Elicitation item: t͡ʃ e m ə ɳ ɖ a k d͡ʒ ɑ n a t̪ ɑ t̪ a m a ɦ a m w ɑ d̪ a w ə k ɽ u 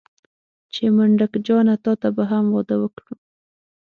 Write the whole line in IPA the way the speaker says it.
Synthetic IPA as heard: t͡ʃ e m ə ɳ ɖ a k d͡ʒ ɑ n a t̪ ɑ t̪ a b a ɦ a m w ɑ d̪ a w ə k ɽ u